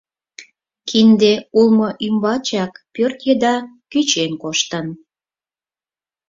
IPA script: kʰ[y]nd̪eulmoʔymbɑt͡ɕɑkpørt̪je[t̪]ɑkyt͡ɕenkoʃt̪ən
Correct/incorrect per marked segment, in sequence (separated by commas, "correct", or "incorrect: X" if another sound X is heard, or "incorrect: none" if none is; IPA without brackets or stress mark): incorrect: i, incorrect: d̪